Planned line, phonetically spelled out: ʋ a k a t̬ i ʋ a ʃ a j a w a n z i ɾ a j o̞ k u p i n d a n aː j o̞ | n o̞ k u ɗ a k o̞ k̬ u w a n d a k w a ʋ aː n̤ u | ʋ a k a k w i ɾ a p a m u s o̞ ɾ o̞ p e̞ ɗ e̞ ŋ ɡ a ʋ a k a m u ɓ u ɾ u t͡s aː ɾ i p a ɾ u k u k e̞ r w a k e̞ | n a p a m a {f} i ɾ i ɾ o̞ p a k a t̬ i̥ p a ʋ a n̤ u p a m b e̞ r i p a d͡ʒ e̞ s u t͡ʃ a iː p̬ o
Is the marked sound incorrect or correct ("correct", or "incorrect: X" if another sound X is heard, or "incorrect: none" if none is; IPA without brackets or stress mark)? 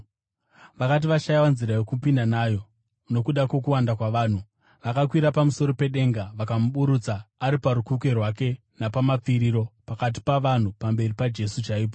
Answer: incorrect: p͡f